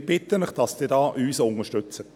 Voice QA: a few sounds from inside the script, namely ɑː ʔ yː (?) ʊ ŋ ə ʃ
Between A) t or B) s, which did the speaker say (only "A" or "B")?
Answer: B